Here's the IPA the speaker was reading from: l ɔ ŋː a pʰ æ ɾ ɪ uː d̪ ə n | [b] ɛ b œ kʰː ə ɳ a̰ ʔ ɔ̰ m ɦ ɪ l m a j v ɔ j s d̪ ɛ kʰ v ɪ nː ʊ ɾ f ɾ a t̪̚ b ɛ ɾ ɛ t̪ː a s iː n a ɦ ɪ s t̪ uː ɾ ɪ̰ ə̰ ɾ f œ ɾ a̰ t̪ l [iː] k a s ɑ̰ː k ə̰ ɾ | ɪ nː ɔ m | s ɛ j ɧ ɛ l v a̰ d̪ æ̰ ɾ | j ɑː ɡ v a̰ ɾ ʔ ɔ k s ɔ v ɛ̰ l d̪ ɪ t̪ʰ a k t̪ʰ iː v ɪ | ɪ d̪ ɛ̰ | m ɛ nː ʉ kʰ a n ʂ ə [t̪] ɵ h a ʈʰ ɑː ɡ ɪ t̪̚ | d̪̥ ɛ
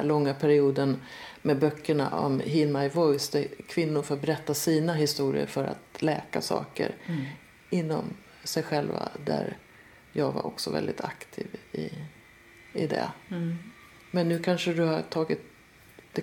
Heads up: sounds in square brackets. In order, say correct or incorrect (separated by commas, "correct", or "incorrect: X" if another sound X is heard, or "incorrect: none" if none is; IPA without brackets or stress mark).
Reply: incorrect: m, incorrect: ɛː, incorrect: d̪